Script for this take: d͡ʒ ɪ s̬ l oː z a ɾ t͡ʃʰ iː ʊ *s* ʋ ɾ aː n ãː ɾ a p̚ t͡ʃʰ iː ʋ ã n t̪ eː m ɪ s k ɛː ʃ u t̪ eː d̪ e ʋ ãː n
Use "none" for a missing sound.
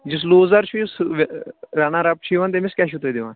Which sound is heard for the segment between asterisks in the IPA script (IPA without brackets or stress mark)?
s